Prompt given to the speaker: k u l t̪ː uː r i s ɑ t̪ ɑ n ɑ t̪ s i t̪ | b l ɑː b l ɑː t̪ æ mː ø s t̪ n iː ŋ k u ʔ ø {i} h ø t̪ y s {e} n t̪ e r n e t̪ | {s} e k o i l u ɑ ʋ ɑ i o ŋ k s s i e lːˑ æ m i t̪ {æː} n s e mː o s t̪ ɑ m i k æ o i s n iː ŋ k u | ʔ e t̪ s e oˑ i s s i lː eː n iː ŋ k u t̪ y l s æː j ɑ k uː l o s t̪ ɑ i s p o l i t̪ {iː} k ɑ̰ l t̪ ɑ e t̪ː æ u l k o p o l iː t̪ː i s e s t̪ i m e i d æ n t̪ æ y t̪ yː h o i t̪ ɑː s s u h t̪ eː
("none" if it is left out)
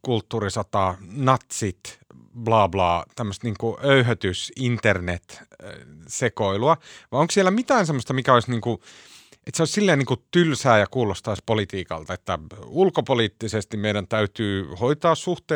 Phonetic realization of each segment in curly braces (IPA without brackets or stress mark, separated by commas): y, i, s, æː, iː